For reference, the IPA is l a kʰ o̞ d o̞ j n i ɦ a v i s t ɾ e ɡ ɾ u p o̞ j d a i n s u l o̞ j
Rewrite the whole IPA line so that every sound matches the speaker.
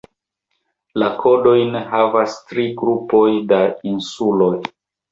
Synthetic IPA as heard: l a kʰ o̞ d o̞ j n e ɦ a v a s t ɾ i ɡ ɾ u p o̞ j d a i n s u l o̞ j